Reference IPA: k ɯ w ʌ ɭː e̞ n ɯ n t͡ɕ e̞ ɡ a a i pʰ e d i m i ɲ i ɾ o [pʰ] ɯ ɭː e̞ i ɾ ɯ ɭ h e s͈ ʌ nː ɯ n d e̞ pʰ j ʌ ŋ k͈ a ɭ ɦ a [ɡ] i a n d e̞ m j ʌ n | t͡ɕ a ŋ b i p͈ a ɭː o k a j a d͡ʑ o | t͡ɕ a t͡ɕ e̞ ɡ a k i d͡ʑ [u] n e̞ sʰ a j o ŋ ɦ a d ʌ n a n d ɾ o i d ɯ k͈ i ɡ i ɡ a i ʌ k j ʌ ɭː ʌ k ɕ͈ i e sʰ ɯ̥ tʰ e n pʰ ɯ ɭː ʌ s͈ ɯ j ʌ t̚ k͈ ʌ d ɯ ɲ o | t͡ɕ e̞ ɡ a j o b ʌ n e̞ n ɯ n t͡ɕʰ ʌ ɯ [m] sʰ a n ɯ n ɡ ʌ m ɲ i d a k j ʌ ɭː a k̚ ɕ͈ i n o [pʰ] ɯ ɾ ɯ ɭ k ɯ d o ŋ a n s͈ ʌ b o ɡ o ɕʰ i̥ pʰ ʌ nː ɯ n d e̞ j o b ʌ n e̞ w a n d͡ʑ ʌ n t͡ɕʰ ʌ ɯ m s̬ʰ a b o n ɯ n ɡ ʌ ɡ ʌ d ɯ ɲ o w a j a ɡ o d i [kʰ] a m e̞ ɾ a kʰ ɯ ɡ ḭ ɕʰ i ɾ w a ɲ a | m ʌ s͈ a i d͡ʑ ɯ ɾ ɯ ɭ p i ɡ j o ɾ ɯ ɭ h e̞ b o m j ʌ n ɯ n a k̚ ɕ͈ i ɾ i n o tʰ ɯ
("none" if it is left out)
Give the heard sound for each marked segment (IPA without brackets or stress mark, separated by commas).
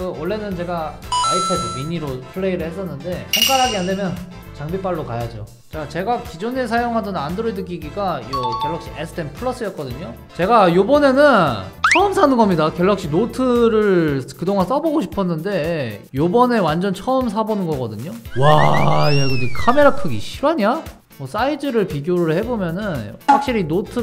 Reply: pʰ, ɡ, o, m, tʰ, kʰ